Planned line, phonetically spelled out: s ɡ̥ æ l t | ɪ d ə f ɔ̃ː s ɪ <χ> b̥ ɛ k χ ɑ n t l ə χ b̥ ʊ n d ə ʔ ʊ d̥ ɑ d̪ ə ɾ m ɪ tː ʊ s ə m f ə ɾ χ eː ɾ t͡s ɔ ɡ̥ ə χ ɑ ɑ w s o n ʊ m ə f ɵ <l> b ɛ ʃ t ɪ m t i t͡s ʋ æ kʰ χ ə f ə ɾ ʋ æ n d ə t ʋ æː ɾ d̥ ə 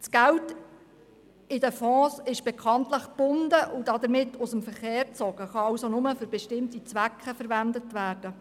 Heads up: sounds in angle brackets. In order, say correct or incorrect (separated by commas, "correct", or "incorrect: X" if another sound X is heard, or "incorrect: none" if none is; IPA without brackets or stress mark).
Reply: incorrect: ʃ, incorrect: ɾ